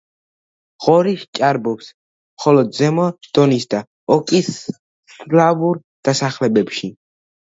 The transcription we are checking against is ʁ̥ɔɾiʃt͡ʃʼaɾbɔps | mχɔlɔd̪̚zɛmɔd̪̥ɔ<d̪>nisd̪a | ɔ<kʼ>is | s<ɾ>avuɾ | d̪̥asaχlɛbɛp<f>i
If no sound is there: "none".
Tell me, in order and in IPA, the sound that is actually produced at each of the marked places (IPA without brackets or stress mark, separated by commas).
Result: none, kʼ, l, ʃ